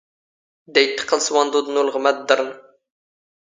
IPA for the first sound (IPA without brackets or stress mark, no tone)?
d̪